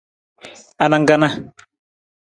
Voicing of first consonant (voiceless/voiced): voiced